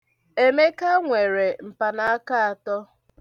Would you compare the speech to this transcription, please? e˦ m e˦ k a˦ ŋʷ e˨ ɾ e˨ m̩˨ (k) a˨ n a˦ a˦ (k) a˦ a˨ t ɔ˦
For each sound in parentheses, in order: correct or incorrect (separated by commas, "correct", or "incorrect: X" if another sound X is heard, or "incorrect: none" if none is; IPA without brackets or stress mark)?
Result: incorrect: p, correct